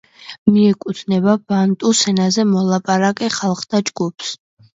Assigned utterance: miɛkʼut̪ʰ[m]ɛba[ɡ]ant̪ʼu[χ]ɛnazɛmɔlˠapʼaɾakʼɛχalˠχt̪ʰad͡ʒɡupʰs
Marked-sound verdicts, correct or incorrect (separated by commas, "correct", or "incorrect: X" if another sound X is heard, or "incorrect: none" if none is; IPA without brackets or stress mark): incorrect: n, incorrect: b, incorrect: s